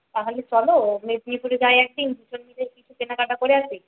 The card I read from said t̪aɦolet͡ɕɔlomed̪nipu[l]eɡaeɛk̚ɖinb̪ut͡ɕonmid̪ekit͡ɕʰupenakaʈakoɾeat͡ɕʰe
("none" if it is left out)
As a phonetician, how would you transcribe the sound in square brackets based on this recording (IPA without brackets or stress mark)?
ɾ